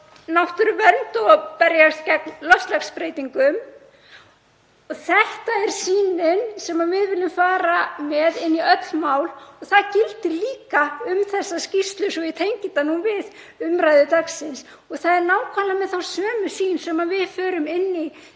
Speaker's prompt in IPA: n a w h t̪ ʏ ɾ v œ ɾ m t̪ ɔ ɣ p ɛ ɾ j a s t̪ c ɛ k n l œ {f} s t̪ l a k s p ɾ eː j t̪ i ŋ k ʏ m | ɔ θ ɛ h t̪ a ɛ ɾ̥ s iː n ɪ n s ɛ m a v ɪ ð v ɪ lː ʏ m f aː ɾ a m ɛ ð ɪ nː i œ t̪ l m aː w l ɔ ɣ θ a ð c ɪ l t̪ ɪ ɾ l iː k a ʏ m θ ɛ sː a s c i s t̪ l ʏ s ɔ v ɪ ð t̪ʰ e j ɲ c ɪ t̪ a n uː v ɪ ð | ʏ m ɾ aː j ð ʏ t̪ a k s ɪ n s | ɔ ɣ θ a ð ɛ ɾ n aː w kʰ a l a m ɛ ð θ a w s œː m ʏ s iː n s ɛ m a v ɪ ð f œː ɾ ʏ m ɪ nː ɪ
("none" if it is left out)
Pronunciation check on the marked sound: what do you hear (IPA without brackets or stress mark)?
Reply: f